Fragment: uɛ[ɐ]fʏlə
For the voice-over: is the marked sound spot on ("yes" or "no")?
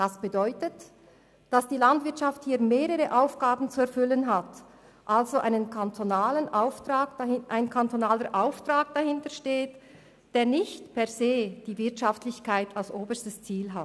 yes